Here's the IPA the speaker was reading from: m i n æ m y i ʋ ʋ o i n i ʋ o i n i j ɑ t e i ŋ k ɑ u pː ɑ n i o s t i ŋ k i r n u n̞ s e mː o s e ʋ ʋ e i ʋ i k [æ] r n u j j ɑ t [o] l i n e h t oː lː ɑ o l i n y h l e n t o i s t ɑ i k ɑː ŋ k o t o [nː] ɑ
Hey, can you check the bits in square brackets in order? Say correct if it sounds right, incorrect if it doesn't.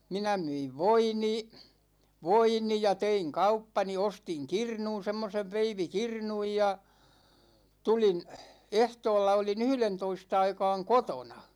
incorrect: i, incorrect: u, incorrect: n

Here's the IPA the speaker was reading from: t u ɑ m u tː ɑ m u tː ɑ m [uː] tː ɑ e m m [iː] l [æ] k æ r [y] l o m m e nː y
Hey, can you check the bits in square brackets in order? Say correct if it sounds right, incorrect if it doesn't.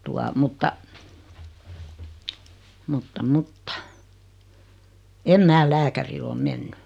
incorrect: u, incorrect: æː, incorrect: æː, incorrect: i

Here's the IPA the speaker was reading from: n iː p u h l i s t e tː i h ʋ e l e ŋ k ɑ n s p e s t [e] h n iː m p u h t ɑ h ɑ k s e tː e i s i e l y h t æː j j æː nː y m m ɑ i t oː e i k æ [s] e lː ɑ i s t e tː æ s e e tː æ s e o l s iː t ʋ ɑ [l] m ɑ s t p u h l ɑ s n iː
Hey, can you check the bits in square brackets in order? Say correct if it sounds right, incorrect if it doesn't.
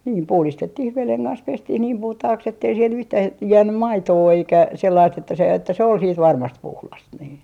incorrect: i, correct, incorrect: r

